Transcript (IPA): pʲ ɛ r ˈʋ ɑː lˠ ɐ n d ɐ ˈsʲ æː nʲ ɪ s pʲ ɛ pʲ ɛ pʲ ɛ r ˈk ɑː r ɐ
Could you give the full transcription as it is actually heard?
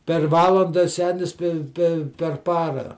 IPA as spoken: pʲ ɛ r ˈʋ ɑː lˠ ɐ n d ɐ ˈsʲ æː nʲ ɪ s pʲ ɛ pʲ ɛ pʲ ɛ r ˈp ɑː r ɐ